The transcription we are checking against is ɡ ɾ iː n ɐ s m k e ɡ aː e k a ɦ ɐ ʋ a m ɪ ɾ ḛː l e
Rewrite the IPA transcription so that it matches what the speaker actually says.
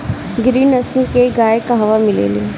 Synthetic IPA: ɡ ɾ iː n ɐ s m k e ɡ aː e k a ɦ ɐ ʋ a m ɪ l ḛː l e